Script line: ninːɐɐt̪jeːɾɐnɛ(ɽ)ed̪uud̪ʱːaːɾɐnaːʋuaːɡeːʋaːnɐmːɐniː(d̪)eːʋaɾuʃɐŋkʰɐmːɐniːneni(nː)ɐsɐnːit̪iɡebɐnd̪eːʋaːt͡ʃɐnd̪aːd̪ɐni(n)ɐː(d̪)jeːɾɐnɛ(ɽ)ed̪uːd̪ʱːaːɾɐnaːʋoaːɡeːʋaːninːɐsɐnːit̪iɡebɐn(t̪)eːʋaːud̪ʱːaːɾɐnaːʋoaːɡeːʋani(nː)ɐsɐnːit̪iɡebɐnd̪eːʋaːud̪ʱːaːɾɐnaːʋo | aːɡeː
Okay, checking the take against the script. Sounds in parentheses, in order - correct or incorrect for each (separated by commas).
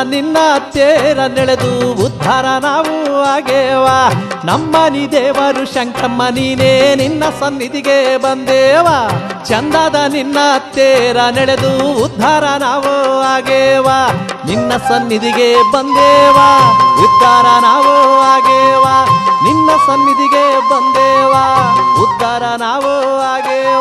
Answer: incorrect, correct, correct, incorrect, incorrect, incorrect, incorrect, correct